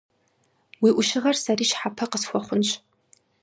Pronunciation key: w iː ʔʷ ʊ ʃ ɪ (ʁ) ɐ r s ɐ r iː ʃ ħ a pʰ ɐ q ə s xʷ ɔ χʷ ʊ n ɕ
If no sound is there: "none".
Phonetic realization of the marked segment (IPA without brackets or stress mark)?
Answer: ʁ